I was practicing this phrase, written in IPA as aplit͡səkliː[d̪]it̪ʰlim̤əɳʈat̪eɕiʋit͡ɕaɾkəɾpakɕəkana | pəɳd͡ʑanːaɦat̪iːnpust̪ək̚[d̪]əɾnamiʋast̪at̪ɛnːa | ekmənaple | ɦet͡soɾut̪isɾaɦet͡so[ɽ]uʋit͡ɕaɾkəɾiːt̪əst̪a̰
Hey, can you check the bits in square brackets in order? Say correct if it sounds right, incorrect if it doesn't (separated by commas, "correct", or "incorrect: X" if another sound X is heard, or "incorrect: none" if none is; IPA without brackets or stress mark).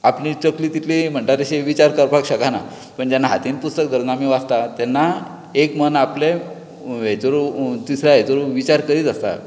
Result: incorrect: t̪, correct, incorrect: ɾ